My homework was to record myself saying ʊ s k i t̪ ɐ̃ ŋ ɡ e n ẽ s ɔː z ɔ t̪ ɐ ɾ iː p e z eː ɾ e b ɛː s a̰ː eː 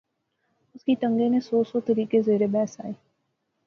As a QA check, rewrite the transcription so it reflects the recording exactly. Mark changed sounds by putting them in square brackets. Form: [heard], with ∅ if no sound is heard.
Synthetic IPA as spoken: ʊ s k i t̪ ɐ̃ ŋ ɡ e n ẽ s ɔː [s] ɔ t̪ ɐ ɾ iː [k] e z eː ɾ e b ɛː s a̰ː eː